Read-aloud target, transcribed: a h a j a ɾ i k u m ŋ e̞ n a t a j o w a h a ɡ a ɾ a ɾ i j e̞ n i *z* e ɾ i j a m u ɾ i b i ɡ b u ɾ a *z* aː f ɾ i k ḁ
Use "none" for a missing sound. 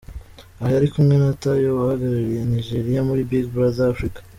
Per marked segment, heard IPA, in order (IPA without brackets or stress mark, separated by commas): ʒ, z